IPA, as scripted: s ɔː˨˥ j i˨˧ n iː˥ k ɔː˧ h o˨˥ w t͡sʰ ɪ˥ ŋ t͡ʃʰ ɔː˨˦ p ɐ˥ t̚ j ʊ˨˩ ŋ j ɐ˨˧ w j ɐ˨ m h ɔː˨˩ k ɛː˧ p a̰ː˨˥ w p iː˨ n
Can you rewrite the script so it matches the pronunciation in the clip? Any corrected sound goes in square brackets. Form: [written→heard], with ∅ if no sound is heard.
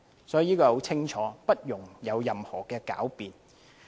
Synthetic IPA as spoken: s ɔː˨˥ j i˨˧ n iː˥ k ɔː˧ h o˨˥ w t͡sʰ ɪ˥ ŋ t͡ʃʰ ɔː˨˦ p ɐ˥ t̚ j ʊ˨˩ ŋ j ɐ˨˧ w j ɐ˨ m h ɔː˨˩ k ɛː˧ [p→k] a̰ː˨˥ w p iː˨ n